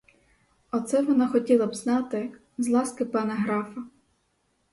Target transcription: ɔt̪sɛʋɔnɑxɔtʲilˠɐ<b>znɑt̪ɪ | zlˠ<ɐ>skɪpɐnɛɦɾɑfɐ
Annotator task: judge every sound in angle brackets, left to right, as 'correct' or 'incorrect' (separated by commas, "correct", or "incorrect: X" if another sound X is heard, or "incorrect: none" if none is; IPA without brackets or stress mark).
correct, incorrect: ɑ